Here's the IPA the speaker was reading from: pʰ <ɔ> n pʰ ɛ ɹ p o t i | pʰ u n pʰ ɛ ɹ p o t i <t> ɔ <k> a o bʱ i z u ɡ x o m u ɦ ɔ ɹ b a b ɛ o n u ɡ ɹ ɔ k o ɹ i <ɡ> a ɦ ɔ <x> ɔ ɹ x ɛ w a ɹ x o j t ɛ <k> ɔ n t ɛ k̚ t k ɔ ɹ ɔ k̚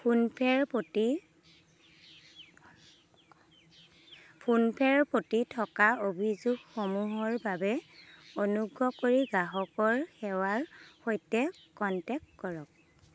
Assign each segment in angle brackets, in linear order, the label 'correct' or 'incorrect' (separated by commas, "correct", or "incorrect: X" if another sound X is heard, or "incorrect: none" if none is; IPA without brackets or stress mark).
incorrect: u, incorrect: tʰ, correct, correct, incorrect: k, correct